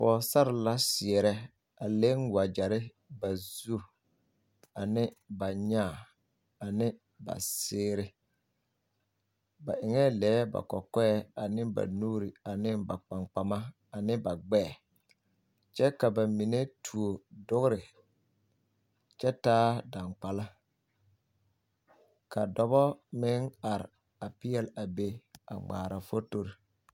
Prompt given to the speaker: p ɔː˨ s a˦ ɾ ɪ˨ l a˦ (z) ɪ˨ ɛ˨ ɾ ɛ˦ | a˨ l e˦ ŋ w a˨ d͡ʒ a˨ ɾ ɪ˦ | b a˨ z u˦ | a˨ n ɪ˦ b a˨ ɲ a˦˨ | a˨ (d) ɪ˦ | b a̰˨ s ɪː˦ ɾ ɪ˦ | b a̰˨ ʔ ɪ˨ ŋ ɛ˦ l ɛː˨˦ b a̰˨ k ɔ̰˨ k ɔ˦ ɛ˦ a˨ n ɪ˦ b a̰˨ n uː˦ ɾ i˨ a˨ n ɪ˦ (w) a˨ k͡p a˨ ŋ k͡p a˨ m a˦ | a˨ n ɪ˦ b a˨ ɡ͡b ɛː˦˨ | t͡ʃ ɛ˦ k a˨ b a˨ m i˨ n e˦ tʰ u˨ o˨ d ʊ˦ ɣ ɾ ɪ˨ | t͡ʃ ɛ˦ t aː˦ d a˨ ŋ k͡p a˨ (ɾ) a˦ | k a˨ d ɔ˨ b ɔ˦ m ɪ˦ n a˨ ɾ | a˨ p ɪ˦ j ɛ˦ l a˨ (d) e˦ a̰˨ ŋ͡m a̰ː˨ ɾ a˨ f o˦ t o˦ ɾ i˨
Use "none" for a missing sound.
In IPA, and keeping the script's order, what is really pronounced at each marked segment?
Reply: s, n, b, l, b

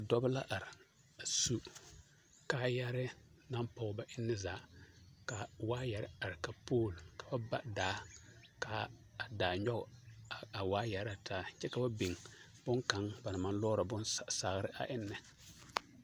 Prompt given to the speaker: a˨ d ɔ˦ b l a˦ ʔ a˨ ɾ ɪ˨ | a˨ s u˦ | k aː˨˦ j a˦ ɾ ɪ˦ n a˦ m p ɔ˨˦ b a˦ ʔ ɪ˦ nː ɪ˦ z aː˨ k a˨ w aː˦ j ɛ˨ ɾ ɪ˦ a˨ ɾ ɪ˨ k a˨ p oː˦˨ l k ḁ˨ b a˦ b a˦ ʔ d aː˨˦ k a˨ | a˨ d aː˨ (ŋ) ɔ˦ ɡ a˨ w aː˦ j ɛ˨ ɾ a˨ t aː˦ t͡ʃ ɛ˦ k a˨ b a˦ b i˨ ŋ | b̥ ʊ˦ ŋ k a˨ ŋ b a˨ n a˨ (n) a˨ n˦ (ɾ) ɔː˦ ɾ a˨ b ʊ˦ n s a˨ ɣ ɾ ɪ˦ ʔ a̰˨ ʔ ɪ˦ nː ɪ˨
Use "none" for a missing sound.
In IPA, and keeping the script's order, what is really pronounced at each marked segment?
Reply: ɲ, m, l

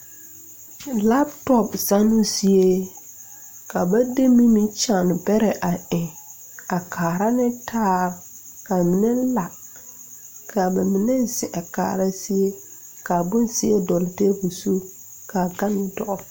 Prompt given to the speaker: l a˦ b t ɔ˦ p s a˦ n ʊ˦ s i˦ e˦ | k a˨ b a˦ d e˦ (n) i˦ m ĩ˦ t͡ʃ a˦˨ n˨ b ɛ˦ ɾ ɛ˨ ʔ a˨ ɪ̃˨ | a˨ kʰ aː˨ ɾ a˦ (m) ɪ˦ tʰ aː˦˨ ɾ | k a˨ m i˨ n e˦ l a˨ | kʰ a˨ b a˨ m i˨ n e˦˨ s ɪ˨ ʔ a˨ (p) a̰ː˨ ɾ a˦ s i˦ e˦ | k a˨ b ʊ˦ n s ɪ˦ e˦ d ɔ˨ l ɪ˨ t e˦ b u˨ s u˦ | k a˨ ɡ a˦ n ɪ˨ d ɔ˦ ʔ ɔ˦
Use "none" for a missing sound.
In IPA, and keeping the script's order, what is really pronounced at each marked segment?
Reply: m, n, k

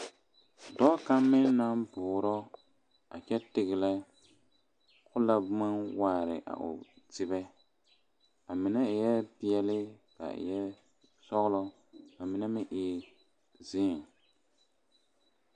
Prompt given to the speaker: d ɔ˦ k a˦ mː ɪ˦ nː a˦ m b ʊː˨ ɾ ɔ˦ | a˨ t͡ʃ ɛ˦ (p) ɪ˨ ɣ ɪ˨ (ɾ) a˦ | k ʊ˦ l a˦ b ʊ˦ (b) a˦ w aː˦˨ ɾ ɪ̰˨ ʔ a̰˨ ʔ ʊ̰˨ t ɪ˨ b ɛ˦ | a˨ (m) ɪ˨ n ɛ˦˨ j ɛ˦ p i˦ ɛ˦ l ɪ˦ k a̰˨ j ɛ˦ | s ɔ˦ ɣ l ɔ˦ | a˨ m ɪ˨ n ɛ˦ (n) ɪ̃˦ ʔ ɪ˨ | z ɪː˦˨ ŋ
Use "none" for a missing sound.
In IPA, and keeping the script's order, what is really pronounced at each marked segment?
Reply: t, l, m, m, m

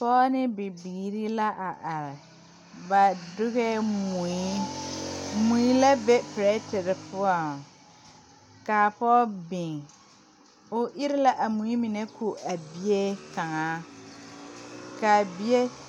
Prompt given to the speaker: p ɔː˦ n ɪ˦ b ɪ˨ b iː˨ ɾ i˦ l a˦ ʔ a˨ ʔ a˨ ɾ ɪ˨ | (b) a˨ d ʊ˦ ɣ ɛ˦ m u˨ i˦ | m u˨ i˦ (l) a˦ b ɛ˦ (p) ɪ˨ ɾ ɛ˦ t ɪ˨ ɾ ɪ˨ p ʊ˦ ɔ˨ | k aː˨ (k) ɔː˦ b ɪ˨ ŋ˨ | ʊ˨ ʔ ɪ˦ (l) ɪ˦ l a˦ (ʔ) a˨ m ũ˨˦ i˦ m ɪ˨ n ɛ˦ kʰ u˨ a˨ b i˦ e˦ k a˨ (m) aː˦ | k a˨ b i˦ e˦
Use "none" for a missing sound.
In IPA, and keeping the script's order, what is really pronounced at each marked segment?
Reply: b, l, p, p, ɾ, ʔ, ŋ

